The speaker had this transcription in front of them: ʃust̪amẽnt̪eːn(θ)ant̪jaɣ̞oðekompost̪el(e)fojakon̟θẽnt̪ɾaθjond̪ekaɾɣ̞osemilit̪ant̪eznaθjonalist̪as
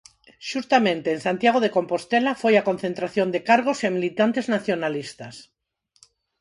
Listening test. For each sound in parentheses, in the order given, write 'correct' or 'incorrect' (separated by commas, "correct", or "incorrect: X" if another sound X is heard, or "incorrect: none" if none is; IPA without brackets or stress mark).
incorrect: s, incorrect: a